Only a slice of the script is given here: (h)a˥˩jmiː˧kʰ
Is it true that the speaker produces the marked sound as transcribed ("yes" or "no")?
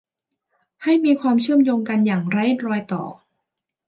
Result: yes